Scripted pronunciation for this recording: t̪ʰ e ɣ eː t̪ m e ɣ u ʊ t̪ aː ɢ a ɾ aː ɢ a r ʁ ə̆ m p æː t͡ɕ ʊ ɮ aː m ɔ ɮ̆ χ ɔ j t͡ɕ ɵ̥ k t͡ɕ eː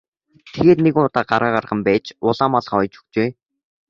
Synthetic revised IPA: t̪ʰ e ɣ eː t̪ n e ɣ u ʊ t̪ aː ɢ a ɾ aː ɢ a r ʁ ə̆ m p æː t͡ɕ ʊ ɮ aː m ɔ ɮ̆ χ ɔ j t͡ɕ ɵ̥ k t͡ɕ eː